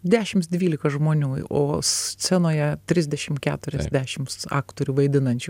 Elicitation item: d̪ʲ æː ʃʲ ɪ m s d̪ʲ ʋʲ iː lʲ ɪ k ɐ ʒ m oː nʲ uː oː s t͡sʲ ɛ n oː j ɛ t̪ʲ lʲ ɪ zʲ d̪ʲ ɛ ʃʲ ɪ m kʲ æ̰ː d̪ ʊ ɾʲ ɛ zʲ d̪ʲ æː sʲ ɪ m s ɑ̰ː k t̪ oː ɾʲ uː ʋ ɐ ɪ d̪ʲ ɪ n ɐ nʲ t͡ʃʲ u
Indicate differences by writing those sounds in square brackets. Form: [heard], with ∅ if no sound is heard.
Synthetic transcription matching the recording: d̪ʲ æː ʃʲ ɪ m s d̪ʲ ʋʲ iː lʲ ɪ k ɐ ʒ m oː nʲ uː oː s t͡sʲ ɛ n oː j ɛ t̪ʲ [ɾʲ] ɪ zʲ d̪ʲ ɛ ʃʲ ɪ m kʲ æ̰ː [t̪] ʊ ɾʲ ɛ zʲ d̪ʲ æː [ʃʲ] ɪ m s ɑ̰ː k t̪ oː ɾʲ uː ʋ ɐ ɪ d̪ʲ ɪ n ɐ nʲ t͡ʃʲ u